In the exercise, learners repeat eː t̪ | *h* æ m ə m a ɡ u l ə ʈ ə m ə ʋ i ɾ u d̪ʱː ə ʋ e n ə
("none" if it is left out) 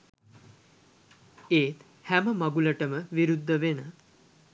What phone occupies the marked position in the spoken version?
h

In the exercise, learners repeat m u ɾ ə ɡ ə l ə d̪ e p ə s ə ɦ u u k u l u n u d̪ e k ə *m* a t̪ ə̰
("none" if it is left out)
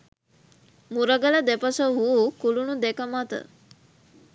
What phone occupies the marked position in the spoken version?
m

